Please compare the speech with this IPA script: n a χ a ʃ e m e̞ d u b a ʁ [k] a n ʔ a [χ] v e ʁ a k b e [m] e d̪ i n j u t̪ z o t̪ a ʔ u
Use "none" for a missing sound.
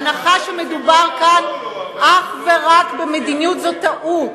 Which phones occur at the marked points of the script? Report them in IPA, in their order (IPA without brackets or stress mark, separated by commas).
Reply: k, χ, m